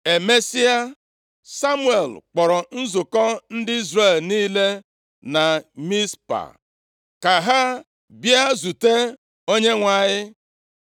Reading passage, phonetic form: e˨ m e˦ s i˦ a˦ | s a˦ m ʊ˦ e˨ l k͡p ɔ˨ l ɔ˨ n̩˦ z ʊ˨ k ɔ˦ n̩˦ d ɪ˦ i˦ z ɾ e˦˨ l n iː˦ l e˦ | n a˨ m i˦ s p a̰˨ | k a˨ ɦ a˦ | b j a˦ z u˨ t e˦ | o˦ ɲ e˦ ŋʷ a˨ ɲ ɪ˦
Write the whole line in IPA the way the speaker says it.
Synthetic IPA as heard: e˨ m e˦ s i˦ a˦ | s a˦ m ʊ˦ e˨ l k͡p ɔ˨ ɾ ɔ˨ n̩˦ z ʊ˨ k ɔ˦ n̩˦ d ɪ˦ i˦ z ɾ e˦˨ l n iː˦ l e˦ | n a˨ m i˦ s p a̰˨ | k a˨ ɦ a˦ | b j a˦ z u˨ t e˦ | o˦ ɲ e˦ ŋʷ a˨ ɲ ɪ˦